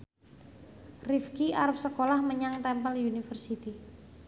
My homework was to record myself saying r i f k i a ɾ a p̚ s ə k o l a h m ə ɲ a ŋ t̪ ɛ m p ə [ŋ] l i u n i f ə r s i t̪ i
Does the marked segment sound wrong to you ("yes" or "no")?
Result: yes